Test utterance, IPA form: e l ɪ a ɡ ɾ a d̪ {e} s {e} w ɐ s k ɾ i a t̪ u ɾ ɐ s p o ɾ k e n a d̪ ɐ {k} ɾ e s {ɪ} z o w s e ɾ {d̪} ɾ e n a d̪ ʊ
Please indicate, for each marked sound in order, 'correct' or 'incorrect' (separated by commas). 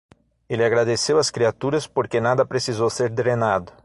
correct, correct, incorrect, incorrect, correct